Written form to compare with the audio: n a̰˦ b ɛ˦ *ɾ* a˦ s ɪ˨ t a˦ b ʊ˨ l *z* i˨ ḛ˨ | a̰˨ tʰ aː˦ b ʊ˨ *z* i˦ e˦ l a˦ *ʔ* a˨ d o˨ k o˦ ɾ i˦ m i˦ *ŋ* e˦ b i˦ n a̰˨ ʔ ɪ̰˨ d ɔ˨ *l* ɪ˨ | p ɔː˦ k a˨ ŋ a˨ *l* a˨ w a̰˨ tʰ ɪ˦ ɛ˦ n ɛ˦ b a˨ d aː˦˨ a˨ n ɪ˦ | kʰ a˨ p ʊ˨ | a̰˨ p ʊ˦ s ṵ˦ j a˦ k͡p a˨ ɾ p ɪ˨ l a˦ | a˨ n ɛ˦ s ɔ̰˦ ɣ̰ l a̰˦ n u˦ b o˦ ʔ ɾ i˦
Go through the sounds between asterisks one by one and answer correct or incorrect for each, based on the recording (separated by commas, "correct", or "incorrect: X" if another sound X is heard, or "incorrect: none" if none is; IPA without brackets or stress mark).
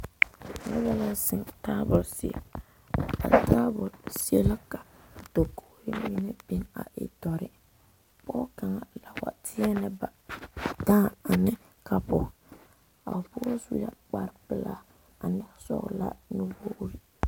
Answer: incorrect: l, incorrect: s, incorrect: s, incorrect: k, incorrect: n, incorrect: ɾ, correct